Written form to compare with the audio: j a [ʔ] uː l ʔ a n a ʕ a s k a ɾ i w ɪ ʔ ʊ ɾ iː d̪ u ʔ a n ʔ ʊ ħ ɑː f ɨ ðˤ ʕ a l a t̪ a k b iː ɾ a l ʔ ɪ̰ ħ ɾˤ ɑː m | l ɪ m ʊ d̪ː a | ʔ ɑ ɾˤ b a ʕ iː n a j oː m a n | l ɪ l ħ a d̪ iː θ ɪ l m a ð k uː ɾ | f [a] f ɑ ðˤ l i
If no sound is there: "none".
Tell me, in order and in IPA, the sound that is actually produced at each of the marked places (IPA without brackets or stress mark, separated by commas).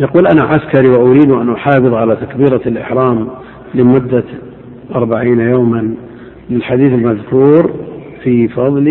q, i